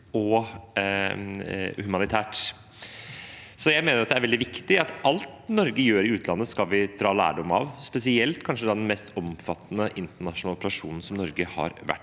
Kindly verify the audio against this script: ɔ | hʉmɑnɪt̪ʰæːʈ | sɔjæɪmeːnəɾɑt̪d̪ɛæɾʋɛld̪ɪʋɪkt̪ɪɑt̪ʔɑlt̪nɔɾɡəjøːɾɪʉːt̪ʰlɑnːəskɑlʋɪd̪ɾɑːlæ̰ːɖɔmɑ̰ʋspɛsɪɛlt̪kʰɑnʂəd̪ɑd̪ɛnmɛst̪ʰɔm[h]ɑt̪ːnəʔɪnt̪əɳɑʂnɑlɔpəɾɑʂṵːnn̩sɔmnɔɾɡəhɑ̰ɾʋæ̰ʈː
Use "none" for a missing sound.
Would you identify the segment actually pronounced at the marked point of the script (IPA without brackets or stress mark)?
f